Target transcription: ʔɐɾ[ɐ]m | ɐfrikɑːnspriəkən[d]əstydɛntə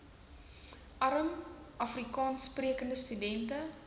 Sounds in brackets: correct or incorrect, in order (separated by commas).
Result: incorrect, correct